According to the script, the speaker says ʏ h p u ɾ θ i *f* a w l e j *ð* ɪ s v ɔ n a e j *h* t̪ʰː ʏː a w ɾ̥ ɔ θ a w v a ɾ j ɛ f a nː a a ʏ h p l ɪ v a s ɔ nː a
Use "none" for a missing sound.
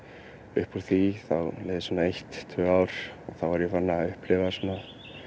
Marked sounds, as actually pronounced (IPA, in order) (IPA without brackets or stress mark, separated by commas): θ, ð, h